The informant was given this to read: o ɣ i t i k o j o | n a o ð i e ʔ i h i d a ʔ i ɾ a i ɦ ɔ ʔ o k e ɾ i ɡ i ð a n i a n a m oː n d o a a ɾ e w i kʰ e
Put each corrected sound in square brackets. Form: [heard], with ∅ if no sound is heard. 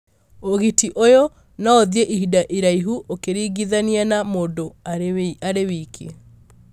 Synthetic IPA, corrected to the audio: o ɣ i t i [ʔ] o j o | n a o ð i e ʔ i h i d a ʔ i ɾ a i ɦ [u] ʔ o k e ɾ i ɡ i ð a n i a n a m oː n d o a a ɾ e w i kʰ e